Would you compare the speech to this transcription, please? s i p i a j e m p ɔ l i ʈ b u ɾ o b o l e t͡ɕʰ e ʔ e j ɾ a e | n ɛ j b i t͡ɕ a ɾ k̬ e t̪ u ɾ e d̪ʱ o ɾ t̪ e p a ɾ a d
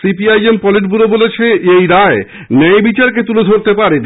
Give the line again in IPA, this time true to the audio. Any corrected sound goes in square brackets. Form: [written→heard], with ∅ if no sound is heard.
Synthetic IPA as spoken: s i p i a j e m p ɔ l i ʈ b u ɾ o b o l e t͡ɕʰ e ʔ e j ɾ a e | n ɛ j b i t͡ɕ a ɾ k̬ e t̪ u [ɾ→l] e d̪ʱ o ɾ t̪ e p a ɾ [a→e] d